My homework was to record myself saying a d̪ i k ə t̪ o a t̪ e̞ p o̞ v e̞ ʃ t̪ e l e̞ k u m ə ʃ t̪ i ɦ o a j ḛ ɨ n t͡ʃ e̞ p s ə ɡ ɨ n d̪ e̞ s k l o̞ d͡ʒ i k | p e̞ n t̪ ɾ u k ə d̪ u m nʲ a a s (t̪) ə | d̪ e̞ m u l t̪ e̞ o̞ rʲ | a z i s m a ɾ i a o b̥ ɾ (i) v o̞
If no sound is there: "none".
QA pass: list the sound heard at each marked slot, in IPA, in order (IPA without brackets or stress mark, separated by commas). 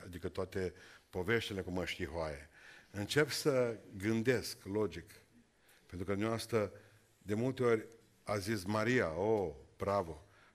t̪, a